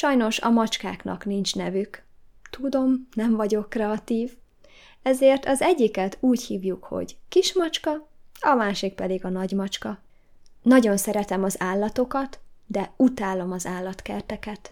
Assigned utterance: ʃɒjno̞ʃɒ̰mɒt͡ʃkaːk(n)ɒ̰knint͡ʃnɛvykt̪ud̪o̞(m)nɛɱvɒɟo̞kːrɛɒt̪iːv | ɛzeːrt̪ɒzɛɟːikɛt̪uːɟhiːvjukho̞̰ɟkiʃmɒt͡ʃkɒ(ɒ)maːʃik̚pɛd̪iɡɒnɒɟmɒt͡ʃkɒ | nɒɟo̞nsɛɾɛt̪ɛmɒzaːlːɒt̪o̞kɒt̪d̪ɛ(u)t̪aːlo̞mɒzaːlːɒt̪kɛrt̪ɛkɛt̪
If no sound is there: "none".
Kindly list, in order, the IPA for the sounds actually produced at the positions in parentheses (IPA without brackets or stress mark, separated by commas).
n, m, ɒ, u